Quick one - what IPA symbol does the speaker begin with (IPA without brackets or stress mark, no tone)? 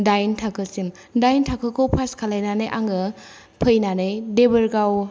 d